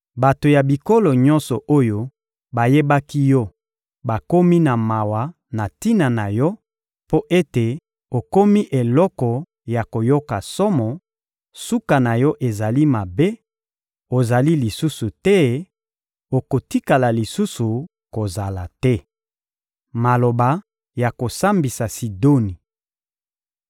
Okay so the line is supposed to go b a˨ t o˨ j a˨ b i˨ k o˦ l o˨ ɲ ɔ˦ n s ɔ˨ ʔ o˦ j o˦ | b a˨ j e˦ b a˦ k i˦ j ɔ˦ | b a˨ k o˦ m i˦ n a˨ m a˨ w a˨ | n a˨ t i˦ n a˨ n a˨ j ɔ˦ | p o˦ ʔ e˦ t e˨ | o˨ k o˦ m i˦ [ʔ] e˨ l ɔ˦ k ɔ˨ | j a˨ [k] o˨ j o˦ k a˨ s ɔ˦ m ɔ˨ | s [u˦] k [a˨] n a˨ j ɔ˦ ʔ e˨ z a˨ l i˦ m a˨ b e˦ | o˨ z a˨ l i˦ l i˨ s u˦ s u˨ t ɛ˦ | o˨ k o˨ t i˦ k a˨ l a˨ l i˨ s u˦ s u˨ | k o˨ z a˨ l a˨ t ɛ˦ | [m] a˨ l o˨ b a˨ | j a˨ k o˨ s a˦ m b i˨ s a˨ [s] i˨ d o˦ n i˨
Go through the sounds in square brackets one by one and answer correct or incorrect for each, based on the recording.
correct, correct, correct, correct, correct, correct

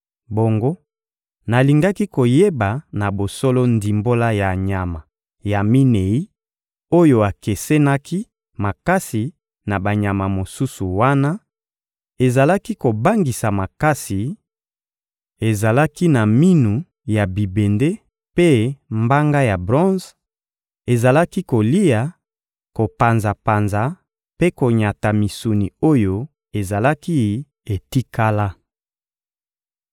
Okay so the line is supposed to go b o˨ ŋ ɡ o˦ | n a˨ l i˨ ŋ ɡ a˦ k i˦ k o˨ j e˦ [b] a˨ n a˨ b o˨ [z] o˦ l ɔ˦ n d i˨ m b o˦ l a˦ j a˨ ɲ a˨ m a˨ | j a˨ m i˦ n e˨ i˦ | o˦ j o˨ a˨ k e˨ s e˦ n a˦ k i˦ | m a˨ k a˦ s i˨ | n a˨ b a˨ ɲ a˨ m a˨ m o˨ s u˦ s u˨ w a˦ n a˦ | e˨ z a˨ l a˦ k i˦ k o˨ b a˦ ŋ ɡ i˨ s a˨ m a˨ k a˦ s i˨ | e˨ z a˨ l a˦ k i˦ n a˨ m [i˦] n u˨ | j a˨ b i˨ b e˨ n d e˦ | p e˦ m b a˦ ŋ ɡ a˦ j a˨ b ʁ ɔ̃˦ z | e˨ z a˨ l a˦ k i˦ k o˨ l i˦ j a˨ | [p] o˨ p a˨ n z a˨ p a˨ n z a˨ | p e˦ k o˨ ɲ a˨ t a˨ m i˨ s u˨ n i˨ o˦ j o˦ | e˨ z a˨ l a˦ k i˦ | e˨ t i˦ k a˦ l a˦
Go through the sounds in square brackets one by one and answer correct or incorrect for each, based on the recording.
correct, incorrect, correct, incorrect

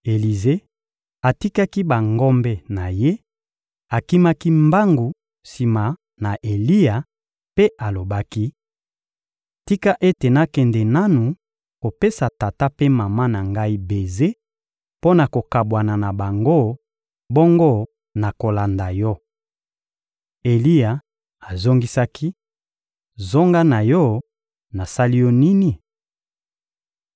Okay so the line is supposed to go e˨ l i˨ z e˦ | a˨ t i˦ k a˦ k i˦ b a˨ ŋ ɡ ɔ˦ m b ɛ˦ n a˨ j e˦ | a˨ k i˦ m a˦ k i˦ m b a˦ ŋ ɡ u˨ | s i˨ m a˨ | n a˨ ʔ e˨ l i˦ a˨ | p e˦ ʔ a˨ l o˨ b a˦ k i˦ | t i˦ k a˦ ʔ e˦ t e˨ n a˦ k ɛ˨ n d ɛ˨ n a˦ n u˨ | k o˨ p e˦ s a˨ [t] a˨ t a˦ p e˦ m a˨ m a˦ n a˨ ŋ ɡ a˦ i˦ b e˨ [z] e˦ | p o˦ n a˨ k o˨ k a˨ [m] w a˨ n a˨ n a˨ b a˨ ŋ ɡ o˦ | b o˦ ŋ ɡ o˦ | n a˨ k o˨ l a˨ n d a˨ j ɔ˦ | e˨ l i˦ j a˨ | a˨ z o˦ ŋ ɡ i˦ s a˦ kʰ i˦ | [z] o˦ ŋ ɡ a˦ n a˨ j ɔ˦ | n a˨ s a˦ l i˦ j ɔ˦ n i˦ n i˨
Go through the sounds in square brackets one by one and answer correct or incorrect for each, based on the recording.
correct, correct, incorrect, correct

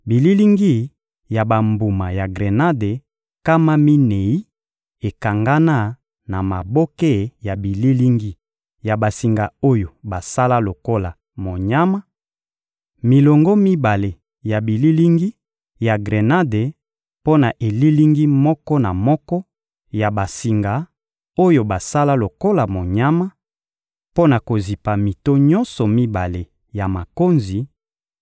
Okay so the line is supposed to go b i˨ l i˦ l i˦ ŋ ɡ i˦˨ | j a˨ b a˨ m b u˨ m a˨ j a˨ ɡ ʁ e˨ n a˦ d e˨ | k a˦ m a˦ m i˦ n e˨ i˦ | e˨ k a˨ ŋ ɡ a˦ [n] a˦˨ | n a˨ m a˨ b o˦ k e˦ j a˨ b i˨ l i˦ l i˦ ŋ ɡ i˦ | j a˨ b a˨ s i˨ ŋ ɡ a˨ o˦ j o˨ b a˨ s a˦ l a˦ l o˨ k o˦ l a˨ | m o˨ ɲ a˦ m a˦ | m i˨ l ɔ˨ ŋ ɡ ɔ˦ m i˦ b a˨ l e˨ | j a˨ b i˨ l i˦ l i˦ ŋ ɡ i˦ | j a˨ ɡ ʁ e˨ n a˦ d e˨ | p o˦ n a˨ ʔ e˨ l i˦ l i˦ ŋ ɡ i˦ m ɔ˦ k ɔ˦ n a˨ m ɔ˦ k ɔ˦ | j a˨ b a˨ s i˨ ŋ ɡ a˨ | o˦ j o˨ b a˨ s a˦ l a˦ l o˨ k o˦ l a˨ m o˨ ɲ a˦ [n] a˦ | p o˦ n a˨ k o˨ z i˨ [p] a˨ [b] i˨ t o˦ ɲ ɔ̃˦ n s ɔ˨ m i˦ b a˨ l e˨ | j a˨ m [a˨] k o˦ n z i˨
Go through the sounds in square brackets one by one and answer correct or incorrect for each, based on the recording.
correct, incorrect, correct, incorrect, correct

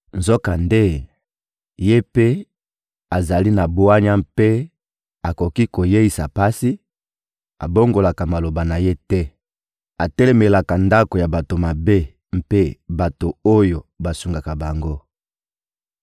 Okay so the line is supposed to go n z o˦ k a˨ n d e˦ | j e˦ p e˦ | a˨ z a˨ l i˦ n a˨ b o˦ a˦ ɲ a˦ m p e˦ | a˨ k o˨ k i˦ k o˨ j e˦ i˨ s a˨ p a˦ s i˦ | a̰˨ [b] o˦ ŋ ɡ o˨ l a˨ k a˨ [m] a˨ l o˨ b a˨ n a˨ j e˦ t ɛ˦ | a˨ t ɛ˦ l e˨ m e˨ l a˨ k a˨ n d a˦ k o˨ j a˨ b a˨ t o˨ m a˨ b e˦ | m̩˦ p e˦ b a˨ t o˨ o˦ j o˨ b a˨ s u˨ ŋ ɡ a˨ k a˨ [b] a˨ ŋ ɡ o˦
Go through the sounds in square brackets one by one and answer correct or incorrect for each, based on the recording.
correct, correct, correct

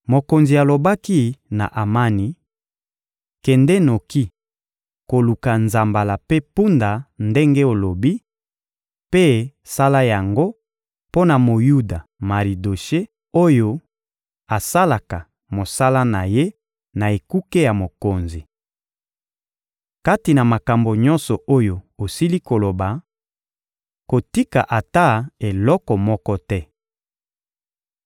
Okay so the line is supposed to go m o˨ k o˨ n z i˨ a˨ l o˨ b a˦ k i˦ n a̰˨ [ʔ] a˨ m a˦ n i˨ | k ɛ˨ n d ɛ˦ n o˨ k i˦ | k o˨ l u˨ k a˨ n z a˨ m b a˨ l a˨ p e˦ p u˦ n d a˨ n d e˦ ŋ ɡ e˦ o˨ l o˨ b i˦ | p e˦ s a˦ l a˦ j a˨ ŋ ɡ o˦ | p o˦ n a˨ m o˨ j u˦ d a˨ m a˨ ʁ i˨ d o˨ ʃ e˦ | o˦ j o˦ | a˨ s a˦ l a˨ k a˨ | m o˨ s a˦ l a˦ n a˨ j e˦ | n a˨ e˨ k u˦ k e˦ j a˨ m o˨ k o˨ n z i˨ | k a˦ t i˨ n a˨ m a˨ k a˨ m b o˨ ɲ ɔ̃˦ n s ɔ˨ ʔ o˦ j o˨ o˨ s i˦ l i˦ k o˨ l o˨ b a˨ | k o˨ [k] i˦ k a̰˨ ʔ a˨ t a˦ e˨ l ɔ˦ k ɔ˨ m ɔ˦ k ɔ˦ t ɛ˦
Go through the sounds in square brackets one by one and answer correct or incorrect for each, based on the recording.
correct, incorrect

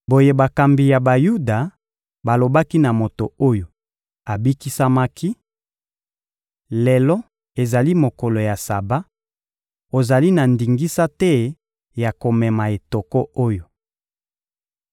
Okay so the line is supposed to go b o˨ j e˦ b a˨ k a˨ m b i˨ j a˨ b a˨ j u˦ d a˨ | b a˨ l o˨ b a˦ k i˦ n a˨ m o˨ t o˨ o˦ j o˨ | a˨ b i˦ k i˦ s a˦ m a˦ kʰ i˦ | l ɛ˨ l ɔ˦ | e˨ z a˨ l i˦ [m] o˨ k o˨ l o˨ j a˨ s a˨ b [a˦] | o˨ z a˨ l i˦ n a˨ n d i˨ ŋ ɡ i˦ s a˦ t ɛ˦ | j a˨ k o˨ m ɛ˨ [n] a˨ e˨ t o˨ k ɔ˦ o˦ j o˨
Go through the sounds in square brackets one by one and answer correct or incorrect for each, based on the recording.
correct, correct, incorrect

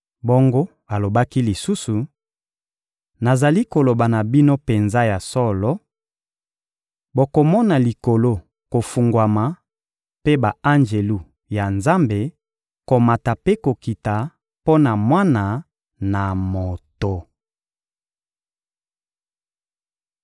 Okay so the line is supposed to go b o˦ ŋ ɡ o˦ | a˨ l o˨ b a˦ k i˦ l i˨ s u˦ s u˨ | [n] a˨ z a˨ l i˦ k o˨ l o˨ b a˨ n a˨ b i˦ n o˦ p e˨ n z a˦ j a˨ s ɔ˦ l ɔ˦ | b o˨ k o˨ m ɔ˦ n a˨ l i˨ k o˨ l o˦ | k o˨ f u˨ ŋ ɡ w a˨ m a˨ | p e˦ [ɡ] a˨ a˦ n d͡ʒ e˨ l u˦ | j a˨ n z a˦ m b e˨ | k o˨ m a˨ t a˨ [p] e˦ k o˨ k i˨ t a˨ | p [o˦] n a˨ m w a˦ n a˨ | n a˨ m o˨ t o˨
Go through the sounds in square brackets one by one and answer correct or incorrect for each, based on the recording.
correct, incorrect, correct, correct

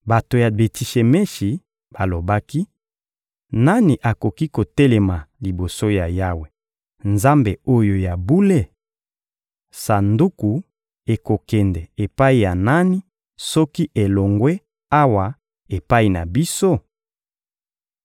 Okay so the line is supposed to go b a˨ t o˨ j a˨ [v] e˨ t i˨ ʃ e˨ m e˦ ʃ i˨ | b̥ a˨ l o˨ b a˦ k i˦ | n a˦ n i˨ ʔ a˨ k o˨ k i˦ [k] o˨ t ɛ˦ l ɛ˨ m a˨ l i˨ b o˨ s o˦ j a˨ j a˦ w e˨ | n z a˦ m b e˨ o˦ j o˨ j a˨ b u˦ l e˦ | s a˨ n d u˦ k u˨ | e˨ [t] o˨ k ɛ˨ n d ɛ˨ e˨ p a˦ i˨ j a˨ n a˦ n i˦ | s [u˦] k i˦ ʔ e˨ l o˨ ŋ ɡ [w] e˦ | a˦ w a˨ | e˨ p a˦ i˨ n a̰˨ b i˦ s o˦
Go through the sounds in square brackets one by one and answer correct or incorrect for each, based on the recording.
incorrect, correct, incorrect, incorrect, correct

